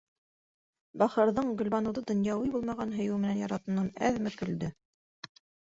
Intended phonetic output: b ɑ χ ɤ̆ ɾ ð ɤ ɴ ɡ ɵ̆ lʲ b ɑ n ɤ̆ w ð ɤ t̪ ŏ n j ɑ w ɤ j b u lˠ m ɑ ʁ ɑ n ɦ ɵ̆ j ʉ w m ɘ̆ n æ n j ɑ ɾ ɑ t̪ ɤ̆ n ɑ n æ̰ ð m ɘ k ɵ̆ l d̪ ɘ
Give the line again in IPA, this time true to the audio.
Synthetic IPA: b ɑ χ ɤ̆ ɾ ð ɤ ɴ ɡ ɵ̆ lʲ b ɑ n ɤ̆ w ð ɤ d̪ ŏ n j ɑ w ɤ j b u lˠ m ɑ ʁ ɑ n ɦ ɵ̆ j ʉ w m ɘ̆ n æ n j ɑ ɾ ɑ t̪ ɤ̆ n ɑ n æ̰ ð m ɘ k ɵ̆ l d̪ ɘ

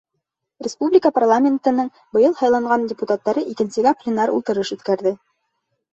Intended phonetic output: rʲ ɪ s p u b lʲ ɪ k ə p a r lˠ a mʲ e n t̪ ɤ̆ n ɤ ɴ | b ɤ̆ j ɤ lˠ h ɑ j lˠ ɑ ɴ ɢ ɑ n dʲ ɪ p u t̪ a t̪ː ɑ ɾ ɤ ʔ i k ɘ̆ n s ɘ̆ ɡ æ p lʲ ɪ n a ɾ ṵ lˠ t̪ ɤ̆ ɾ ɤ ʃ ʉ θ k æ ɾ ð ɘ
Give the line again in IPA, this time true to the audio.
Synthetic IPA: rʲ ɪ s p u b lʲ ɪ k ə p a r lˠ a mʲ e n t̪ ɤ̆ n ɤ ɴ | b ɤ̆ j ɤ lˠ h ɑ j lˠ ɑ ɴ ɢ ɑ n dʲ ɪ p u t̪ a t̪ː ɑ ɾ ɤ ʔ i k ɘ̆ n s ɘ̆ ɡ æ p lʲ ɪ n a ɾ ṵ lˠ t̪ ɤ̆ ɾ ɤ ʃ ʉ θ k æ ɾ ð ɘ

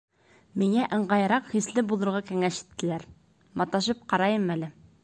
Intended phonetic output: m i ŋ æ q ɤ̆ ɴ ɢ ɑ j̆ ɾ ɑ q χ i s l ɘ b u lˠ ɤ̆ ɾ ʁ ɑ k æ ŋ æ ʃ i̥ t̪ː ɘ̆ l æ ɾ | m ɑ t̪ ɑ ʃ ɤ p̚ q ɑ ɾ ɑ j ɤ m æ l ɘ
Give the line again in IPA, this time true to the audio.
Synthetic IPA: m i ŋ æ ʔ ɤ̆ ɴ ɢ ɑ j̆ ɾ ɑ q χ i s l ɘ b u lˠ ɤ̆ ɾ ʁ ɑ k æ ŋ æ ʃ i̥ t̪ː ɘ̆ l æ ɾ | m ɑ t̪ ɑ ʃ ɤ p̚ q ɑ ɾ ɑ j ɤ m æ l ɘ

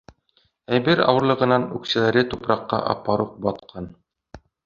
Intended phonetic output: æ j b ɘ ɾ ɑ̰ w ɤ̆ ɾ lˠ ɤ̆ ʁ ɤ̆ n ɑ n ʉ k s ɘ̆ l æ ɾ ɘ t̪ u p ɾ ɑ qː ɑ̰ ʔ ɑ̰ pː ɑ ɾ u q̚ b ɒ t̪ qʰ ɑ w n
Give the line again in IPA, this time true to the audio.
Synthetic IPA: æ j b ɘ ɾ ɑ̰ w ɤ̆ ɾ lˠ ɤ̆ ʁ ɤ̆ n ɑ n ʉ k s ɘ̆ l æ ɾ ɘ t̪ u p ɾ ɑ qː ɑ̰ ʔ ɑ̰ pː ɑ ɾ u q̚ b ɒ t̪ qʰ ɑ n

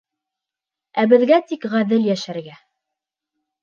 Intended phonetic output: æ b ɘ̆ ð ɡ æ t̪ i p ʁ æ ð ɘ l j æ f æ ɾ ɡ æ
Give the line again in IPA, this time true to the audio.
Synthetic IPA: æ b ɘ̆ ð ɡ æ t̪ i k ʁ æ ð ɘ l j æ ʃ æ ɾ ɡ æ

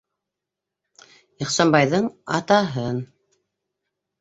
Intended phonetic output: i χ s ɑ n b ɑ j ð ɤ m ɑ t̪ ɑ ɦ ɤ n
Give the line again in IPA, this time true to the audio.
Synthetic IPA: i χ s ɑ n b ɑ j ð ɤ ɴ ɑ t̪ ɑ ɦ ɤ n

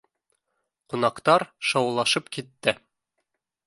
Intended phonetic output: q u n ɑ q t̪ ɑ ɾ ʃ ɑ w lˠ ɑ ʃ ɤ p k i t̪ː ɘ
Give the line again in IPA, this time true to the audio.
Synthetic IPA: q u n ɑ q t̪ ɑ ɾ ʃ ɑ w lˠ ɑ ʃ ɤ p k i t̪ː ɘ

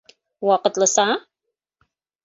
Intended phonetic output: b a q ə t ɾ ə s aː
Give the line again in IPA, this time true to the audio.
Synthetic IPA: w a q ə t l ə s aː

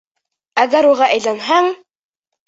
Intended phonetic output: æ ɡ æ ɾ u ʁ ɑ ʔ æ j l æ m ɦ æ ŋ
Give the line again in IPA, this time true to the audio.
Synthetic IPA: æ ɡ æ ɾ u ʁ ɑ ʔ æ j l æ n ɦ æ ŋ

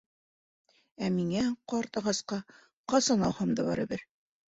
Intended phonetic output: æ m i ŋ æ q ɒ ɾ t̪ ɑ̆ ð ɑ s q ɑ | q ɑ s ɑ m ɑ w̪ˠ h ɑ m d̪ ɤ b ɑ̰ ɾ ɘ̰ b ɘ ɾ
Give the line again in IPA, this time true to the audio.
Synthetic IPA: æ m i ŋ æ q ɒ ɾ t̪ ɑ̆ ʁ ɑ s q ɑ | q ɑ s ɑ n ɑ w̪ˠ h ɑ m d̪ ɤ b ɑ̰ ɾ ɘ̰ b ɘ ɾ

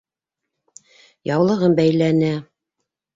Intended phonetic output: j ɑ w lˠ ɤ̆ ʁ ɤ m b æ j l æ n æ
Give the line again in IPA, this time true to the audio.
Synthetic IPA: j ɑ w lˠ ɤ̆ ʁ ɤ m b æ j l æ n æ

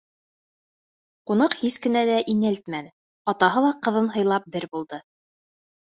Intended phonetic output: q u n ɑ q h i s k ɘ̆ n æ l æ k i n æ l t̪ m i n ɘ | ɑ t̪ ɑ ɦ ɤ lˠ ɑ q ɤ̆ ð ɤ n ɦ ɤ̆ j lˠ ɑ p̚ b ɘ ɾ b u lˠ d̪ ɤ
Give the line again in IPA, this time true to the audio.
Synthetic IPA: q u n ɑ q h i s k ɘ̆ n æ l æ ʔ i n æ l t̪ m æ n ɘ | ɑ t̪ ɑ ɦ ɤ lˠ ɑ q ɤ̆ ð ɤ n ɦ ɤ̆ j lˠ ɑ p̚ b ɘ ɾ b u lˠ d̪ ɤ

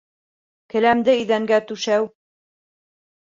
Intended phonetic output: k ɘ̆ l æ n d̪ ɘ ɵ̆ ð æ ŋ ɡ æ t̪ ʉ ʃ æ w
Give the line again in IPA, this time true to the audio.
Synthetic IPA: k ɘ̆ l æ m d̪ ɘ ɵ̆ ð æ ŋ ɡ æ t̪ ʉ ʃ æ w

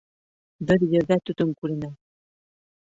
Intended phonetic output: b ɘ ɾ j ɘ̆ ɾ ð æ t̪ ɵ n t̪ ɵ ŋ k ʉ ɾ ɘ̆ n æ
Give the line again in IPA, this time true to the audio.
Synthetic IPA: b ɘ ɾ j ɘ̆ ɾ ð æ t̪ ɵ t̪ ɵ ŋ k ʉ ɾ ɘ̆ n æ

